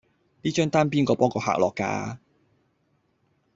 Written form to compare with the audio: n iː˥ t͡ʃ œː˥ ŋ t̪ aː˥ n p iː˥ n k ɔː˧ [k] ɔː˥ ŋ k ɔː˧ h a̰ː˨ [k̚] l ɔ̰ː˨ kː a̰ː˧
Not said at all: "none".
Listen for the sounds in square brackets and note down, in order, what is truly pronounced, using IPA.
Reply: p, k̚

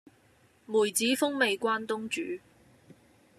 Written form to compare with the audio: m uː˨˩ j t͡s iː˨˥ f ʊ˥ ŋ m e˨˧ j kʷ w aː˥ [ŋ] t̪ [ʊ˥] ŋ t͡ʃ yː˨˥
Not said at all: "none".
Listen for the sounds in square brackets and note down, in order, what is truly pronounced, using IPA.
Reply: n, ʊ˥

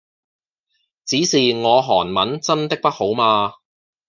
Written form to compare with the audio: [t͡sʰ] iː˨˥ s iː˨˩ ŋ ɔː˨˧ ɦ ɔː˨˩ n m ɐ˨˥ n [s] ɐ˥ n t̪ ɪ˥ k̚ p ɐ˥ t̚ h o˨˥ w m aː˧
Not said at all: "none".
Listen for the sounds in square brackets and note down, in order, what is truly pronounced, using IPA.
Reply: t͡s, t͡s

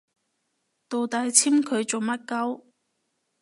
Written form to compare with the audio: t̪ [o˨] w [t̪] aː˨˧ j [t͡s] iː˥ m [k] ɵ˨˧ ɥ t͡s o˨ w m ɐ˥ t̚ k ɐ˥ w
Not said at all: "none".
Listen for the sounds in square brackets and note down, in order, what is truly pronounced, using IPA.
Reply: o˨, t̪, t͡sʰ, kʰ

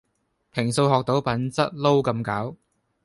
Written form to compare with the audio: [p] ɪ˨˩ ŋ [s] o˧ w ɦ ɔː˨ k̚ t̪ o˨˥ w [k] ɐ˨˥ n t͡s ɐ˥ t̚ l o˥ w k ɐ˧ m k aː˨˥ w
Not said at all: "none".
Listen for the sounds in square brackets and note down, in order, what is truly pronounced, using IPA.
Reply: pʰ, s, p

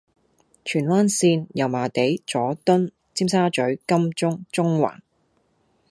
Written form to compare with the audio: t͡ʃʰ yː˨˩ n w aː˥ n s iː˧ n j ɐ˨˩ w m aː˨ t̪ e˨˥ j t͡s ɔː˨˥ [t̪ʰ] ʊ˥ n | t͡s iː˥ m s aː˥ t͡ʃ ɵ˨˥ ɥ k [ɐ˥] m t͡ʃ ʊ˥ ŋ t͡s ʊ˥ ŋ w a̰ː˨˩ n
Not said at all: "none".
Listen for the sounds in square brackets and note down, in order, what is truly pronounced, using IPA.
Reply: t̪, ɐ˥

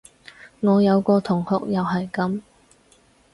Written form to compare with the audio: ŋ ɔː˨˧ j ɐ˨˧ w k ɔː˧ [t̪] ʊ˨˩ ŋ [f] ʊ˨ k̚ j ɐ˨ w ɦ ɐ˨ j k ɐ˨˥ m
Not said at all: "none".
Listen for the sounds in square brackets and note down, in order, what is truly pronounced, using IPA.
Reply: t̪ʰ, h

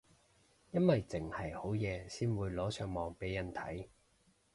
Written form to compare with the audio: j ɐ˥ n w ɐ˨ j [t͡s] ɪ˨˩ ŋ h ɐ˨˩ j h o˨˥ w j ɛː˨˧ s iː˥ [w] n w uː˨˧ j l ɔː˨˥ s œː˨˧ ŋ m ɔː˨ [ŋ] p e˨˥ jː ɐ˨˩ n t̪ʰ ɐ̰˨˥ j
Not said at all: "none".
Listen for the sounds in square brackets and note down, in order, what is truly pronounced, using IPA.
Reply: t͡s, none, ŋ

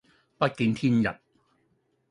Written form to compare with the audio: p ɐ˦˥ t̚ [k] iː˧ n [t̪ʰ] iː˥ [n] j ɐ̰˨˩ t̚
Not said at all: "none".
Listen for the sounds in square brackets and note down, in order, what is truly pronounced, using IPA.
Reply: k, t̪ʰ, n

